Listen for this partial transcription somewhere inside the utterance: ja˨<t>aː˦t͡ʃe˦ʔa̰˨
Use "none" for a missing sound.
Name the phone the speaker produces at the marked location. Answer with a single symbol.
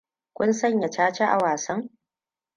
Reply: t͡ʃ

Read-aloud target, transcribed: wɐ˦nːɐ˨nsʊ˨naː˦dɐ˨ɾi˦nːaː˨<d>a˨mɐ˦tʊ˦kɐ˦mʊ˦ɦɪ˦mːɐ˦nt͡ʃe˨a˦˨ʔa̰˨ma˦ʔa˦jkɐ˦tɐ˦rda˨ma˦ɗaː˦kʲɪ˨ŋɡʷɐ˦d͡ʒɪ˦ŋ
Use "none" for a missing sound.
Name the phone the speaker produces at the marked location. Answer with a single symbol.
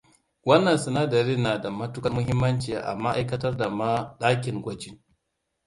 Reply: d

